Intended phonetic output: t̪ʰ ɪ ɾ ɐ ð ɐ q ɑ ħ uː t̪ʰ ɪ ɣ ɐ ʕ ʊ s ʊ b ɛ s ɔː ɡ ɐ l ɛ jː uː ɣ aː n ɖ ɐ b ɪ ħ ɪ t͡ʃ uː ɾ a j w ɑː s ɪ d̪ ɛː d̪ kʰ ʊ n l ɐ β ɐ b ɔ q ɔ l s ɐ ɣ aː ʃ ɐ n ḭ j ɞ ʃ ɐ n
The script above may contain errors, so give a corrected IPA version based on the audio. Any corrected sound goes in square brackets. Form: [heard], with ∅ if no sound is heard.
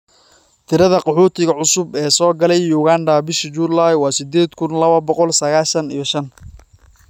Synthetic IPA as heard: t̪ʰ ɪ ɾ ɐ ð ɐ q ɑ ħ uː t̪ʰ ɪ ɣ ɐ ʕ ʊ s ʊ b [ɛː] s ɔː ɡ ɐ l ɛ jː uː ɣ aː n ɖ ɐ b ɪ [ʃ] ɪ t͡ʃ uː [l] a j w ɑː s ɪ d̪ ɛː d̪ kʰ ʊ n l ɐ β ɐ b ɔ q ɔ l s ɐ ɣ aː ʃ ɐ n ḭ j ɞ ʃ ɐ n